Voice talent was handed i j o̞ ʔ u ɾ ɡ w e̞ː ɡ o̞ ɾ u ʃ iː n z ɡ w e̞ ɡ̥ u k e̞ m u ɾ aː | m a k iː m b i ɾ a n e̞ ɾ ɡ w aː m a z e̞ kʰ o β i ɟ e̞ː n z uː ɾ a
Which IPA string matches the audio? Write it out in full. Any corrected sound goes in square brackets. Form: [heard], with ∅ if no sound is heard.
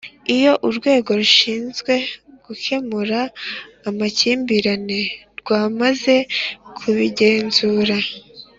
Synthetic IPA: i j o̞ ʔ u ɾ ɡ w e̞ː ɡ o̞ ɾ u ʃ iː n z ɡ w e̞ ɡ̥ u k e̞ m u ɾ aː | m a [c] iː m b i ɾ a n e̞ ɾ ɡ w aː m a z e̞ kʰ [u] β i ɟ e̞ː n z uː ɾ a